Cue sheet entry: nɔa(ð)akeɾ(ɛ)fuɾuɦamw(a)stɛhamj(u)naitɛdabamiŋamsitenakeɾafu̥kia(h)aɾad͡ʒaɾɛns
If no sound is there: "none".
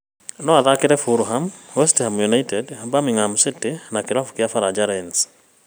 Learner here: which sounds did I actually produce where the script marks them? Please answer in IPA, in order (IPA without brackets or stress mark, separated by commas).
ð, ɛ, ɛ, u, f